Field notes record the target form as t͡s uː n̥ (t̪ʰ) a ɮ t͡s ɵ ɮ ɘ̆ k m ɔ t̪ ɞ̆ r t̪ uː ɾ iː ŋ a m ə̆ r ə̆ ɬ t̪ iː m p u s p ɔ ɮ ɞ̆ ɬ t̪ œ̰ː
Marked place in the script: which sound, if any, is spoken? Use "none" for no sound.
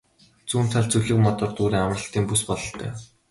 t̪ʰ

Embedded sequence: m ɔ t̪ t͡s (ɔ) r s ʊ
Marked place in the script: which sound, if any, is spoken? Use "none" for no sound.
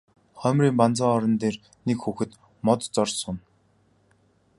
ɔ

